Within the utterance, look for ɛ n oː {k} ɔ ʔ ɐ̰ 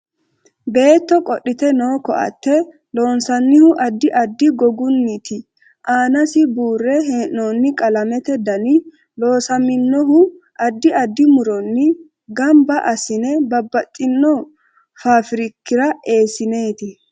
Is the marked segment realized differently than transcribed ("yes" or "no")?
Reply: no